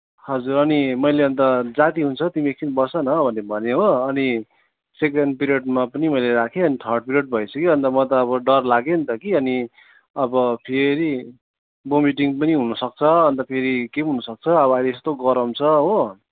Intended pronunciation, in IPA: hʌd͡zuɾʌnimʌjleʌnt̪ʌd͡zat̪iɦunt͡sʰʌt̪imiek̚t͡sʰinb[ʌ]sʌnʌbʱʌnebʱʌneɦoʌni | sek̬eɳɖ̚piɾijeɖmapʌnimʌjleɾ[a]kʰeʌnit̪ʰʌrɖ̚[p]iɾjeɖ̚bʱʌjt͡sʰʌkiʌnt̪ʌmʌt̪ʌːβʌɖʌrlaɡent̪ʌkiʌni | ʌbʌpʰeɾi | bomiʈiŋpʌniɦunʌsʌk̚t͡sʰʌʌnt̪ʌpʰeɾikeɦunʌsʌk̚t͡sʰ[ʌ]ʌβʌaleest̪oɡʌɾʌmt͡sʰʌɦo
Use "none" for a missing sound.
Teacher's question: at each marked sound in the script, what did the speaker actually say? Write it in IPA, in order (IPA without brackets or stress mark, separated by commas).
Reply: ʌ, a, p, ʌ